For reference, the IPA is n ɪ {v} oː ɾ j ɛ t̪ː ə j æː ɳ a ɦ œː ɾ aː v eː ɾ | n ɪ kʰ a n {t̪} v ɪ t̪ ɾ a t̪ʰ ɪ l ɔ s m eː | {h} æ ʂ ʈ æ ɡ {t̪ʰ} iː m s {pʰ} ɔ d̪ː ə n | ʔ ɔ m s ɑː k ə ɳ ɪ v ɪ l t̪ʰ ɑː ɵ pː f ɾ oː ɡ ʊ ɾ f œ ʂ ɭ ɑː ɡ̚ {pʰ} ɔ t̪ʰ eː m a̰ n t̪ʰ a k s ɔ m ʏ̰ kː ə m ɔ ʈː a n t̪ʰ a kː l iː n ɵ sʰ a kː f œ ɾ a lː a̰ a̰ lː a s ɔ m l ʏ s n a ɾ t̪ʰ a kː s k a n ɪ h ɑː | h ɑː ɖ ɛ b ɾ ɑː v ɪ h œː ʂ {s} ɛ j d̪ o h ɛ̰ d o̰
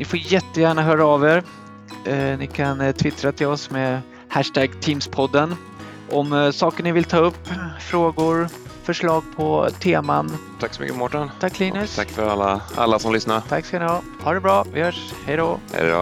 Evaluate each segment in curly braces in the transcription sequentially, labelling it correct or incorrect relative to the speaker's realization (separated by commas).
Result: incorrect, incorrect, correct, correct, correct, correct, incorrect